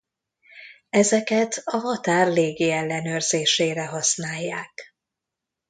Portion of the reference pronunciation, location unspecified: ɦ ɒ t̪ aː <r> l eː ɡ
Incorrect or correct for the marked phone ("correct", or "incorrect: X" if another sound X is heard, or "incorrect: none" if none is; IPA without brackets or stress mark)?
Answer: correct